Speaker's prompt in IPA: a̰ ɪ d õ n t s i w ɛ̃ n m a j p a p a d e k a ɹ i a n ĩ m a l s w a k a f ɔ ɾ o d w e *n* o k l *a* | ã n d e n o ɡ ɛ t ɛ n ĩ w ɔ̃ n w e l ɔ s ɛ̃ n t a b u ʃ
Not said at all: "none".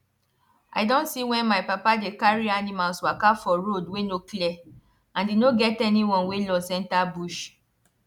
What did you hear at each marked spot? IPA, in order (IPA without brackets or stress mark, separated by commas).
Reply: n, ɛ